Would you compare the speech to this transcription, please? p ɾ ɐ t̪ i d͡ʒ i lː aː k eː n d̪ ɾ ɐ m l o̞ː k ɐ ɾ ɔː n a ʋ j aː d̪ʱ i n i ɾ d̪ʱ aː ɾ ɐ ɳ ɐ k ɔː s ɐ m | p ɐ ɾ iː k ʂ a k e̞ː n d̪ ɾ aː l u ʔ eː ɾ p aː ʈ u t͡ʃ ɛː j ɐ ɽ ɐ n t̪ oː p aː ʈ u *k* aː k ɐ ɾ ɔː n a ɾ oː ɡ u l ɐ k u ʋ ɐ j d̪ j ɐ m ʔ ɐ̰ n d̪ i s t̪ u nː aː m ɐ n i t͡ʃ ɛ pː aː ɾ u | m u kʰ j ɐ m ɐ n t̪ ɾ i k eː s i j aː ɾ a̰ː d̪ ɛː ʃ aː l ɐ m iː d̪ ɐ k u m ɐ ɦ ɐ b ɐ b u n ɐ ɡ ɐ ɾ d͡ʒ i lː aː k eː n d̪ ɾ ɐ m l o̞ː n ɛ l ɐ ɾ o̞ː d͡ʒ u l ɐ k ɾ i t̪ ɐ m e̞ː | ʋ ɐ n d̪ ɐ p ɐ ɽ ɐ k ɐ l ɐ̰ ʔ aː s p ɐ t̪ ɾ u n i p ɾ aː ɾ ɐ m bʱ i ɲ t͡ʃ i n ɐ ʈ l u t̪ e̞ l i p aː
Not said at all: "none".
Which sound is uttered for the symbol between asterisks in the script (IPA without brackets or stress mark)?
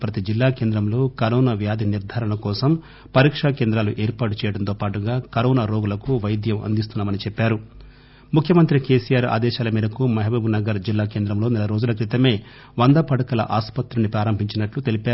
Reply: ɡ